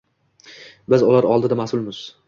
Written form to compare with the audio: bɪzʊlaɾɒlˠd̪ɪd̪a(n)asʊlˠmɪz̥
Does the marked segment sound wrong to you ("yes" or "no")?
yes